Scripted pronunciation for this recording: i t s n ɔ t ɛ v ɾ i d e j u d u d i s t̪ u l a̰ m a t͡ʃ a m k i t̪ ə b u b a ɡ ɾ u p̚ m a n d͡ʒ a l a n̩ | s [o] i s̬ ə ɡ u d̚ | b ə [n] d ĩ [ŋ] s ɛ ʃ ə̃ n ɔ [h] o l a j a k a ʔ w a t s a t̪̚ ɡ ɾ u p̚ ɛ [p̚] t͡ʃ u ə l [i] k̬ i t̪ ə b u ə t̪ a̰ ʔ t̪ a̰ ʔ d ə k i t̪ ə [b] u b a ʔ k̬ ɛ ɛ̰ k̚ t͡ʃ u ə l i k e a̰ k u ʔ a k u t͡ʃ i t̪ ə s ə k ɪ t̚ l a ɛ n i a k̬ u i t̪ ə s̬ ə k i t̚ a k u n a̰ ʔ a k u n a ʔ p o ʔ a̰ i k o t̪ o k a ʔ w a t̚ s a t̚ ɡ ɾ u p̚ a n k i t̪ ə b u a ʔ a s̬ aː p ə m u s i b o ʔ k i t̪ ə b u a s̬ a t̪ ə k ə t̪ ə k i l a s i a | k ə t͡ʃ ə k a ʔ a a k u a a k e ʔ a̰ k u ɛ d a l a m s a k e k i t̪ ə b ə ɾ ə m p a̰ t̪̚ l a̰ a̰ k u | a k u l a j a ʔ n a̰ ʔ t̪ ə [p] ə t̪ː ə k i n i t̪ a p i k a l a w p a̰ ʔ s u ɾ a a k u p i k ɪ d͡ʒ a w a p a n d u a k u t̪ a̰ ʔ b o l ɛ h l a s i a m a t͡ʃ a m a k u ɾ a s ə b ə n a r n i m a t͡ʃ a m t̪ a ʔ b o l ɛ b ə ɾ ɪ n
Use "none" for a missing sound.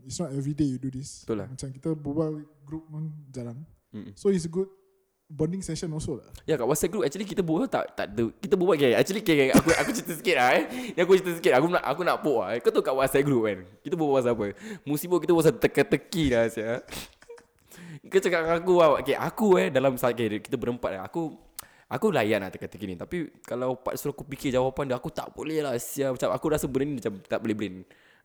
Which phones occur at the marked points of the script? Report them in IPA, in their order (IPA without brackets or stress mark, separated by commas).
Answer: o, n, ŋ, s, k̚, i, b, k